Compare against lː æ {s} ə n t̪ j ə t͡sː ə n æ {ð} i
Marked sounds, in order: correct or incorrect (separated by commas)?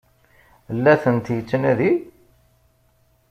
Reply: incorrect, correct